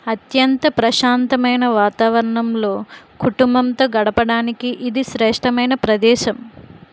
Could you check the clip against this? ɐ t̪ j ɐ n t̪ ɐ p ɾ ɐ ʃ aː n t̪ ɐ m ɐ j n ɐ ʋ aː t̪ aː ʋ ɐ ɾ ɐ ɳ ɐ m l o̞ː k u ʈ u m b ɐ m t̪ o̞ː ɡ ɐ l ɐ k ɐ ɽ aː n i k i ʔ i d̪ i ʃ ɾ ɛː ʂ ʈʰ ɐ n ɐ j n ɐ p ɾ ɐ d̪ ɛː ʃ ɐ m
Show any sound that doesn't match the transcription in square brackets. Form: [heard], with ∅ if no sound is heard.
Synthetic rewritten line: ɐ t̪ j ɐ n t̪ ɐ p ɾ ɐ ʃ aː n t̪ ɐ m ɐ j n ɐ ʋ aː t̪ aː ʋ ɐ ɾ ɐ ɳ ɐ m l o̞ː k u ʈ u m b ɐ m t̪ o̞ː ɡ ɐ [ɽ] ɐ [p] ɐ ɽ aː n i k i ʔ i d̪ i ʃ ɾ ɛː ʂ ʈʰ ɐ [m] ɐ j n ɐ p ɾ ɐ d̪ ɛː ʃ ɐ m